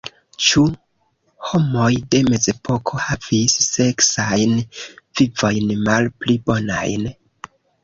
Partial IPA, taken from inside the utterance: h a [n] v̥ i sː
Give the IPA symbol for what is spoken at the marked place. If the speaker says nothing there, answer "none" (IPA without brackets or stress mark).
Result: none